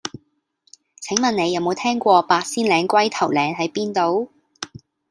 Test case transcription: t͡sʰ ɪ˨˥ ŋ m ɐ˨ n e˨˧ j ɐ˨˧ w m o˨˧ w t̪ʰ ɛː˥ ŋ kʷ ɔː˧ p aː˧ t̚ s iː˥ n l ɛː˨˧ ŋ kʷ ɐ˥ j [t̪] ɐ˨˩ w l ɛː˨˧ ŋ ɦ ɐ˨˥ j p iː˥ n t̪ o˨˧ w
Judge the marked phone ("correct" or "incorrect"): incorrect